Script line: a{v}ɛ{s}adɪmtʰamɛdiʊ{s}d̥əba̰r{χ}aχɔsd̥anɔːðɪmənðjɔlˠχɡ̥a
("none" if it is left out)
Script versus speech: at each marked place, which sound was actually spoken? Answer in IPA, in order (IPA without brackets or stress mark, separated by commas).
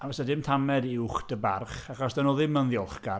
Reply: v, s, χ, χ